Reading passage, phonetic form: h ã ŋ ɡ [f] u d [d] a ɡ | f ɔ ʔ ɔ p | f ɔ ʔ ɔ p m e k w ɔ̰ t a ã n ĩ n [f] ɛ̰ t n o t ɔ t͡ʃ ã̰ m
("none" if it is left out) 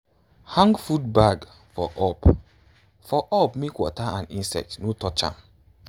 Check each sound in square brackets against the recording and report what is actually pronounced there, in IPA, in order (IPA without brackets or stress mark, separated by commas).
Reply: f, b, s